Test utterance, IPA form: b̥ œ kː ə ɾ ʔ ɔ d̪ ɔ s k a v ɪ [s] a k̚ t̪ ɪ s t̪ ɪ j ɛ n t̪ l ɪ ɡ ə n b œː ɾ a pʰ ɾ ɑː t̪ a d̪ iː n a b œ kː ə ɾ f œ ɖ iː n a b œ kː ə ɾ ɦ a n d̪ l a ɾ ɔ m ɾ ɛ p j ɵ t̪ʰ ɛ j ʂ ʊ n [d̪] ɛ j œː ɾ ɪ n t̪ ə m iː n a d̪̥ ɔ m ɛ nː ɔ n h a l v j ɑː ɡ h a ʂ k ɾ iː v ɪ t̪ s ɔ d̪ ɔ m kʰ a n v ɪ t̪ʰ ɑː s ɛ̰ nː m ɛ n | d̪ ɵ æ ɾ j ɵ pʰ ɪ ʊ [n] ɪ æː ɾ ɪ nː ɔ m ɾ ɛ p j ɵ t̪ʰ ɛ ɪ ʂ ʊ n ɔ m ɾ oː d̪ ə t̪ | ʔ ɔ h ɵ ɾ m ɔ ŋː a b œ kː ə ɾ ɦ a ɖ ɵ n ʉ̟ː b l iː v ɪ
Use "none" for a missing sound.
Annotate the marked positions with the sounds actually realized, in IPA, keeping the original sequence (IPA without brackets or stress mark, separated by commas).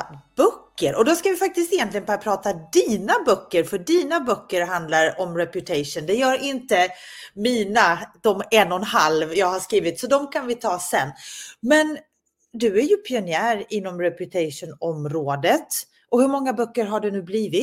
f, d̪, n